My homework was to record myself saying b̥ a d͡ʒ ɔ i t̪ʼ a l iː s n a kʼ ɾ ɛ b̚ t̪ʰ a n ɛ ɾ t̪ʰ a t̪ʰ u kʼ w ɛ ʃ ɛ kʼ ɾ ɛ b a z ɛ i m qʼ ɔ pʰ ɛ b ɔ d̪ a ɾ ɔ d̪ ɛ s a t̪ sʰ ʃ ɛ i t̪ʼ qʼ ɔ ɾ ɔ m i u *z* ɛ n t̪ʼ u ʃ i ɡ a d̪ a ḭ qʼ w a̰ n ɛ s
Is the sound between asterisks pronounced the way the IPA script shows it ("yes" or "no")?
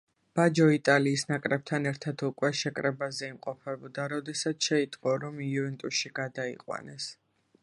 no